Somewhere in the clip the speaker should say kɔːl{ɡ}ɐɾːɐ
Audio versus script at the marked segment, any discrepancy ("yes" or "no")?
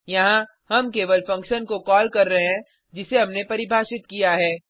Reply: yes